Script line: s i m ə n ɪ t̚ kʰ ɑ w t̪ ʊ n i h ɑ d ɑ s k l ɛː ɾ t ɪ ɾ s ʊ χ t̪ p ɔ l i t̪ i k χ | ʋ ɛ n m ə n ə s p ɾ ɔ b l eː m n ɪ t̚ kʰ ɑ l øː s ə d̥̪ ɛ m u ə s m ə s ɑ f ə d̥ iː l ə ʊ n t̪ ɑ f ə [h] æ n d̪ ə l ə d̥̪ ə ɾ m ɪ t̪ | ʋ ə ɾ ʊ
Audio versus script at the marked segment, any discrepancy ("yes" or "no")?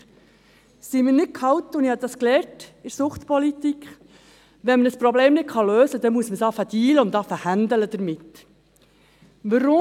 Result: no